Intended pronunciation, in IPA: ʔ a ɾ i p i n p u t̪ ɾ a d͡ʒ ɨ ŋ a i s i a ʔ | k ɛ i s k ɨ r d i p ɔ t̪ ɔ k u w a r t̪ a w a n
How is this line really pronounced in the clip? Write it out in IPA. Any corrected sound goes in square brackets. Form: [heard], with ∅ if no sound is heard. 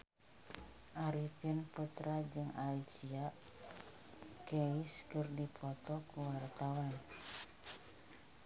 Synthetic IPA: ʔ a ɾ i p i n p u t̪ ɾ a d͡ʒ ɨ ŋ a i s i a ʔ | k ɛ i s k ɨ r d i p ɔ t̪ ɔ k u w a r t̪ a w a n